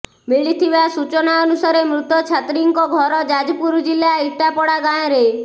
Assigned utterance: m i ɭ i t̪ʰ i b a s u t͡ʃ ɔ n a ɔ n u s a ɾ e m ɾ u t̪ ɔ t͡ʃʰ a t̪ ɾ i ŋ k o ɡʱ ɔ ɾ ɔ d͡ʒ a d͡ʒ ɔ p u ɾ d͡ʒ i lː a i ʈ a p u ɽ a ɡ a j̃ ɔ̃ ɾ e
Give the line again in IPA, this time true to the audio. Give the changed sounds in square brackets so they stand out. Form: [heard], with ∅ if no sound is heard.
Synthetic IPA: m i ɭ i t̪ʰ i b a s u t͡ʃ ɔ n a ɔ n u s a ɾ e m ɾ u t̪ ɔ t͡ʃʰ a t̪ ɾ i ŋ k [ɔ] ɡʱ ɔ ɾ ɔ d͡ʒ a d͡ʒ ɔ p u ɾ d͡ʒ i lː a i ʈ a p [ɔ] ɽ a ɡ a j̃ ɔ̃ ɾ e